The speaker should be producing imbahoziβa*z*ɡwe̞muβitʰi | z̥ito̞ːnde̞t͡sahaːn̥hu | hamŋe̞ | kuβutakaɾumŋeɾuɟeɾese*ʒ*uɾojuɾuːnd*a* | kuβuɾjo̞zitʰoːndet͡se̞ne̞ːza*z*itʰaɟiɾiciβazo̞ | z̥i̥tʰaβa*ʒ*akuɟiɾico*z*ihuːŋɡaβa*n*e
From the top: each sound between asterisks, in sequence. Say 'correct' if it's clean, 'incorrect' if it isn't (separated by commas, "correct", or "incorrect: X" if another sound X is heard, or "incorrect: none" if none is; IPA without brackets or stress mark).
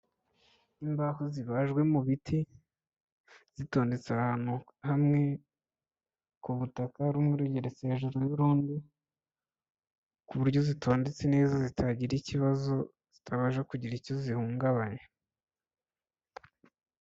incorrect: ʒ, correct, incorrect: i, correct, correct, correct, incorrect: ɲ